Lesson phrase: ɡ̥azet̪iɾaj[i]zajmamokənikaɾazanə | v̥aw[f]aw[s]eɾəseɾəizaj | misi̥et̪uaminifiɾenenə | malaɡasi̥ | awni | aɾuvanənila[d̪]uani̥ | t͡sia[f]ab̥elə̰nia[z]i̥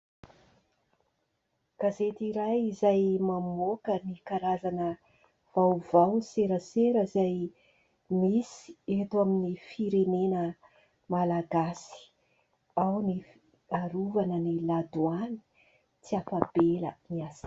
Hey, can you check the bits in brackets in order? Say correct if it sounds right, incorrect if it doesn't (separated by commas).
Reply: correct, incorrect, correct, correct, correct, incorrect